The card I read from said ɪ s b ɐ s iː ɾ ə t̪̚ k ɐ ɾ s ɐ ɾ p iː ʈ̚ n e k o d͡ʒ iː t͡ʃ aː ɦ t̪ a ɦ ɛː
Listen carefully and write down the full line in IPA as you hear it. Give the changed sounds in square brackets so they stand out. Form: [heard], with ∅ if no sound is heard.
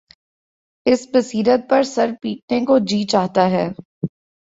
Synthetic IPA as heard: ɪ s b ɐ s iː ɾ ə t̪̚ [p] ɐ ɾ s ɐ ɾ p iː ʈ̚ n e k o d͡ʒ iː t͡ʃ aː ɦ t̪ a ɦ ɛː